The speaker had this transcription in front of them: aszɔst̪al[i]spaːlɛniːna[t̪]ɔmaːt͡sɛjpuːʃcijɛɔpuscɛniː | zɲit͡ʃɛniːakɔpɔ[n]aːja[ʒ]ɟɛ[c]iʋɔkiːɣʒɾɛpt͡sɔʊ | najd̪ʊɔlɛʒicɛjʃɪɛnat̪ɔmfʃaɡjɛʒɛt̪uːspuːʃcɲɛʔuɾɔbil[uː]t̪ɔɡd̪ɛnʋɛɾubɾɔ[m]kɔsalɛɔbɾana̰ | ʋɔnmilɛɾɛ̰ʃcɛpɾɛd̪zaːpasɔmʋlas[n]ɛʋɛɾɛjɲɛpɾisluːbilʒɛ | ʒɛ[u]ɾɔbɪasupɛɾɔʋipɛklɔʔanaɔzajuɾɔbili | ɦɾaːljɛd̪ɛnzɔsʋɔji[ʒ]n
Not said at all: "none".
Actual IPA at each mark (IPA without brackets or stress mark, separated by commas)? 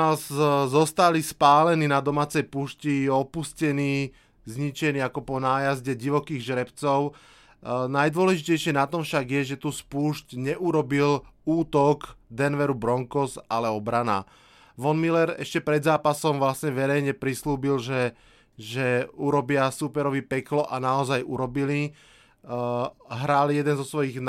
i, d̪, n, z, ɟ, uː, ŋ, ɲ, u, ɣ